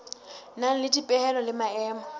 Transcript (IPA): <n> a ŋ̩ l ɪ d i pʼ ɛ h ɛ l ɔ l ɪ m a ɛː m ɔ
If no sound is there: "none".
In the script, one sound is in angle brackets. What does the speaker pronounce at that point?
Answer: n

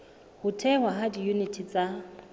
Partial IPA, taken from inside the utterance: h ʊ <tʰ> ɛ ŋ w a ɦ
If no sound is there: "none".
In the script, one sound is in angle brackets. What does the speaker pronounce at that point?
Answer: tʰ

